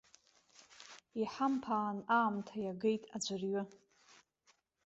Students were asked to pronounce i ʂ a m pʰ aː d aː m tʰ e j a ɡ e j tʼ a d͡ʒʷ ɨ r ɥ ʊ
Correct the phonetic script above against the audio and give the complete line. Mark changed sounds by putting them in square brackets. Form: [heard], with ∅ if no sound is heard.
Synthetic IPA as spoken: i [ħ] a m pʰ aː [n] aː m tʰ [a] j a ɡ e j tʼ a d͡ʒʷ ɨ r ɥ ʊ